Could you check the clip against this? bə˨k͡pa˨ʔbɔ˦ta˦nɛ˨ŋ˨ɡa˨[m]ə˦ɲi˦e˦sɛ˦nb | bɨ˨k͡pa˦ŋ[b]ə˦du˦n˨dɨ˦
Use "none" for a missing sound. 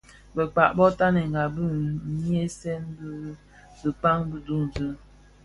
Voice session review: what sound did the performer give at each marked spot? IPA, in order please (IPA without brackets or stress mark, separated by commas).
b, b